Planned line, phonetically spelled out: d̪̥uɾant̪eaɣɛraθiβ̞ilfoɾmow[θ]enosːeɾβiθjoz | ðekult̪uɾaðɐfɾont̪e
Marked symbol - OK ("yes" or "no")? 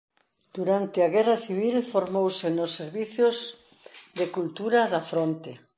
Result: no